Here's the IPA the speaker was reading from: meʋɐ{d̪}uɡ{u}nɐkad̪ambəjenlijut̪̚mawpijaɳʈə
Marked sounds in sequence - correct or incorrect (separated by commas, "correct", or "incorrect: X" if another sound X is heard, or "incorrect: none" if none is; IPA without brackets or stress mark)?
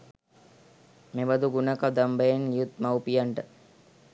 correct, correct